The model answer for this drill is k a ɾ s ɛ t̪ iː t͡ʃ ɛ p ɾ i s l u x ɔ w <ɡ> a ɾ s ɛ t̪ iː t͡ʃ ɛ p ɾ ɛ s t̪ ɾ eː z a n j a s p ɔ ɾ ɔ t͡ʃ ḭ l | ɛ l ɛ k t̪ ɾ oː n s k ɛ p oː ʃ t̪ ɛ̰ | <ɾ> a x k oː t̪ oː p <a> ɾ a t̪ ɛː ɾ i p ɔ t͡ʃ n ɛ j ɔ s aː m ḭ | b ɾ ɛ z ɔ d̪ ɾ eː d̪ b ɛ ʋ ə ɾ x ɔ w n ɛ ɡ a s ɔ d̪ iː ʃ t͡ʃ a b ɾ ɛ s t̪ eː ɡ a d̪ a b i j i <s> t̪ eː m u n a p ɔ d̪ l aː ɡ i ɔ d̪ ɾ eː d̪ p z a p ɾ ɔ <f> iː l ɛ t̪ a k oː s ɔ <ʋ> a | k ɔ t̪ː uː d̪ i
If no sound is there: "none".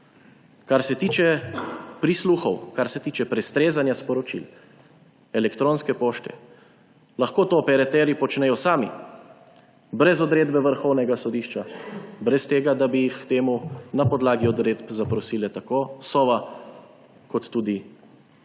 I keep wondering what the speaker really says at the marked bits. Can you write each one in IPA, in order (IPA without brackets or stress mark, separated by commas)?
k, l, ɛ, x, s, ʋ